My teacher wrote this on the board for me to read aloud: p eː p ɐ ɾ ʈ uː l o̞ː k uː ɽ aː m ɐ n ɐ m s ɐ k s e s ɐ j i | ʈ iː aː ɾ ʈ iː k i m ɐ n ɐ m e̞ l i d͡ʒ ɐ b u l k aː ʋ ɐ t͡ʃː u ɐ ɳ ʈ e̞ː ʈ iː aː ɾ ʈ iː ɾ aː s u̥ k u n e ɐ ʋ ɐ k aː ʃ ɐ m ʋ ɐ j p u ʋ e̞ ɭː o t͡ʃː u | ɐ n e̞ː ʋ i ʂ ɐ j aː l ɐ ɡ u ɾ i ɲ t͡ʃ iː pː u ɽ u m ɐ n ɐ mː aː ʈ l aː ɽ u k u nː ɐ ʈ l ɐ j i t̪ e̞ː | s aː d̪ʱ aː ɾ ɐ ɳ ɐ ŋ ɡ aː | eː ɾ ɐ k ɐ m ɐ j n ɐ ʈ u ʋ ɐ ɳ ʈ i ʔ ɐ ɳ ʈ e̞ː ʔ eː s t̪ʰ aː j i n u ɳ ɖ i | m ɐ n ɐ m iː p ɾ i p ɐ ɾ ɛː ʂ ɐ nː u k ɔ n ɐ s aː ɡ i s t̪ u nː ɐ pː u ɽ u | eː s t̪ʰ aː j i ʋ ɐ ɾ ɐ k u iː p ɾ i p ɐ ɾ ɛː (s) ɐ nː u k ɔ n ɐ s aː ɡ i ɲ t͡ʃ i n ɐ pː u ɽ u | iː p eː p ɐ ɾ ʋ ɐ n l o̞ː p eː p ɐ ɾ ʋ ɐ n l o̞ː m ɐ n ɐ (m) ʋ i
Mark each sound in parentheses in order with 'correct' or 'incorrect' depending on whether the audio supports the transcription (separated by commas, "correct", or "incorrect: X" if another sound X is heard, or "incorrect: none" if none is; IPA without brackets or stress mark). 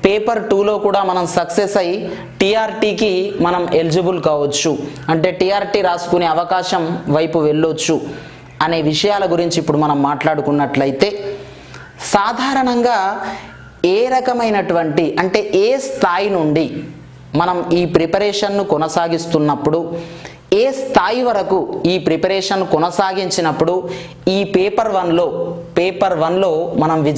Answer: incorrect: ʂ, correct